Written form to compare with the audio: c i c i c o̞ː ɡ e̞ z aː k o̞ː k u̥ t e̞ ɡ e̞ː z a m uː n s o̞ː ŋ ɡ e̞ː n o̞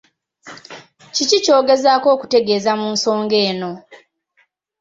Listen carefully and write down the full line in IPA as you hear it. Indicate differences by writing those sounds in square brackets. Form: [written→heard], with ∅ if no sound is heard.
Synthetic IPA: c i c i c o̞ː ɡ e̞ z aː k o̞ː k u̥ t e̞ ɡ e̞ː z a m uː n s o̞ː ŋ ɡ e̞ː n o̞